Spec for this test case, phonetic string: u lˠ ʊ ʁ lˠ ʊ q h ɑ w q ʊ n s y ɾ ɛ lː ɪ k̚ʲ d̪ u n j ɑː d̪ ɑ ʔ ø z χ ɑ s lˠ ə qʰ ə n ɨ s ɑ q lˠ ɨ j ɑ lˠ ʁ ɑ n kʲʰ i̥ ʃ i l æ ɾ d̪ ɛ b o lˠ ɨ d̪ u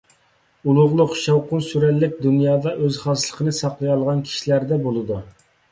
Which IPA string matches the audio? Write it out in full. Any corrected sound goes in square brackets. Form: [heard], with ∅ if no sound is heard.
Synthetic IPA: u lˠ ʊ ʁ lˠ ʊ q [ʃ] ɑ w q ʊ n s y ɾ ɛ lː ɪ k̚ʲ d̪ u n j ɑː d̪ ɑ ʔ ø z χ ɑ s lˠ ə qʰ ə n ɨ s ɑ q lˠ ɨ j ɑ lˠ ʁ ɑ n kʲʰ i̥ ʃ i l æ ɾ d̪ ɛ b o lˠ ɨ d̪ u

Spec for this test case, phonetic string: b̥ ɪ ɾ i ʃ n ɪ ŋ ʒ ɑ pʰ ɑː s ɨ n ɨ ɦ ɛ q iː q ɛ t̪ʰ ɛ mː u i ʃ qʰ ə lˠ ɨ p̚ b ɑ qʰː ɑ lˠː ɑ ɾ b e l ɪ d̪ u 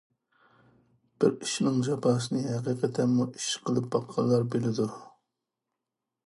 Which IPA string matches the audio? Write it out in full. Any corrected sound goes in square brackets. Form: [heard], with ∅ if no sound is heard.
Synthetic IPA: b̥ ɪ ɾ i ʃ n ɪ ŋ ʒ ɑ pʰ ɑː s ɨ n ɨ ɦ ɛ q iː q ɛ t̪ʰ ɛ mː u i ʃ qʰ ə lˠ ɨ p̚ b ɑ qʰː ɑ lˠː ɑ ɾ b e l ɪ d̪ u

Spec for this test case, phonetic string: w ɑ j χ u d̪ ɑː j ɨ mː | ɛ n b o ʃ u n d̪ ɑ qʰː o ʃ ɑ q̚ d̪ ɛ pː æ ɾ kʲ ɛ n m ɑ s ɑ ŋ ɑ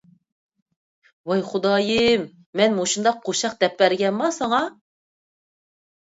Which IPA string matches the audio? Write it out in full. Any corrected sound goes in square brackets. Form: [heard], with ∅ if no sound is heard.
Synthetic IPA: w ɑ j χ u d̪ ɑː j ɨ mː | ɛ n [m] o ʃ u n d̪ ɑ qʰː o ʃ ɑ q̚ d̪ ɛ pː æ ɾ [ɡʲ] ɛ n m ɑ s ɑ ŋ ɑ

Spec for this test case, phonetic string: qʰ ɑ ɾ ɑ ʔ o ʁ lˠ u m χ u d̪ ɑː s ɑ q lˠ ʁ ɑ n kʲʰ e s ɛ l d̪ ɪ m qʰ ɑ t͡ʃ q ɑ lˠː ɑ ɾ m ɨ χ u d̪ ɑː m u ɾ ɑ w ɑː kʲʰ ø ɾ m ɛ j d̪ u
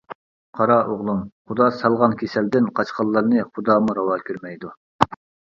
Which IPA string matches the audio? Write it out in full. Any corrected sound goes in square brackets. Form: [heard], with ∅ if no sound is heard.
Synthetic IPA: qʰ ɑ ɾ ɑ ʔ o ʁ lˠ u m χ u d̪ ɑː s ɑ [∅] lˠ ʁ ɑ n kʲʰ e s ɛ l d̪ ɪ [n] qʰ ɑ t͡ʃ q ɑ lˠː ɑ ɾ [n] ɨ χ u d̪ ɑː m u ɾ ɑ w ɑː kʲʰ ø ɾ m ɛ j d̪ u

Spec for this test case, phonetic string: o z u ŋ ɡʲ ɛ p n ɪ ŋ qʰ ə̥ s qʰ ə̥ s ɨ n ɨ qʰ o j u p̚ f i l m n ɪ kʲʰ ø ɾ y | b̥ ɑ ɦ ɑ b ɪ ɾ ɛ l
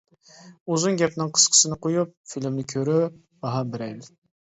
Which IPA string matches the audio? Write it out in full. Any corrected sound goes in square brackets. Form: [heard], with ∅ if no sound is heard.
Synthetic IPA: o z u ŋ ɡʲ ɛ p n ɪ ŋ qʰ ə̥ s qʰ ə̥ s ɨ n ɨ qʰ o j u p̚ f i l m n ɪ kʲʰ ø ɾ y | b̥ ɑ ɦ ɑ b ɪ ɾ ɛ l

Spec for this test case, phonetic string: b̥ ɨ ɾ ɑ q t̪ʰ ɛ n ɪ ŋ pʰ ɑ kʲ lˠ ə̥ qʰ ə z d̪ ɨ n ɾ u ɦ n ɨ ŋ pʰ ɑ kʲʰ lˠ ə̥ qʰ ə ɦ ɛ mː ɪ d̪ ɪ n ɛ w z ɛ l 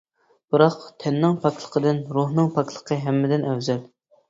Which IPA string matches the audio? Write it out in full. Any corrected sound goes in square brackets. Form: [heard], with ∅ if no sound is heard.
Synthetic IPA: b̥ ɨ ɾ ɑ q t̪ʰ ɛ [nː] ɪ ŋ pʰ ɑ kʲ lˠ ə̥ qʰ ə [∅] d̪ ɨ n ɾ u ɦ n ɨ ŋ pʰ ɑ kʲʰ lˠ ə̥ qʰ ə ɦ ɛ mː ɪ d̪ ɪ n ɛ w z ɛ l

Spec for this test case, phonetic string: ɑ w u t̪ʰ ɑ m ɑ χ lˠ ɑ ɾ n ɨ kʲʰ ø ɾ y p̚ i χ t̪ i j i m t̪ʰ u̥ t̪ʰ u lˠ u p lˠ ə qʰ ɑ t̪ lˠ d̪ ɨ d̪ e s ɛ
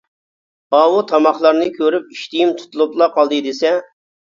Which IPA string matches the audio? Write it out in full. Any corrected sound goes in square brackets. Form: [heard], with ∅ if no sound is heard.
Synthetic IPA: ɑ w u t̪ʰ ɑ m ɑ χ lˠ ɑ ɾ n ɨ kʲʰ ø ɾ y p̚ i [ʃ] t̪ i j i m t̪ʰ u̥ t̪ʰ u lˠ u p lˠ [ɑ] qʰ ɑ [∅] lˠ d̪ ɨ d̪ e s ɛ

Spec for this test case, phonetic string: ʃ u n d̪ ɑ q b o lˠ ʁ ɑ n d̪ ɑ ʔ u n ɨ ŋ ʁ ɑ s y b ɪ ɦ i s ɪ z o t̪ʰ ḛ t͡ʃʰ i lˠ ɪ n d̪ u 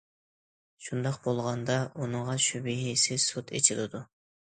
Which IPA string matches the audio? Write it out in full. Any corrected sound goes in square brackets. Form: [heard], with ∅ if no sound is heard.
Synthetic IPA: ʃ u n d̪ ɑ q b o lˠ ʁ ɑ n d̪ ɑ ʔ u n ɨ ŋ ʁ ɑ [ʃ] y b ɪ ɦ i s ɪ [s] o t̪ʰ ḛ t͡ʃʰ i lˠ ɪ [∅] d̪ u

